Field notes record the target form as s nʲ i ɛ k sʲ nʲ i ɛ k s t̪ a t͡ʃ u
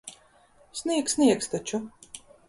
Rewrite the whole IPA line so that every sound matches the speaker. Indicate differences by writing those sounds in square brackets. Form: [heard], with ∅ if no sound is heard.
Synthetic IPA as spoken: s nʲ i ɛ k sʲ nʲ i ɛ k s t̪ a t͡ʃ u